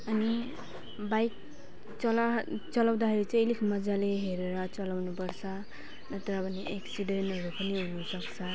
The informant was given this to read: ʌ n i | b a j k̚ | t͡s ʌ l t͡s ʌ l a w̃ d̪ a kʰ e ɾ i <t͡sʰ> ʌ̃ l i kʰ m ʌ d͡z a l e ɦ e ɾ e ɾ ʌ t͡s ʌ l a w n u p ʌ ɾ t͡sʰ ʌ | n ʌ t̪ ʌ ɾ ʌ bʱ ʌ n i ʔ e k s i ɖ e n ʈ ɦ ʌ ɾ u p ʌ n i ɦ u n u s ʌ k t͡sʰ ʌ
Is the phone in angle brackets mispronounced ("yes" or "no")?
yes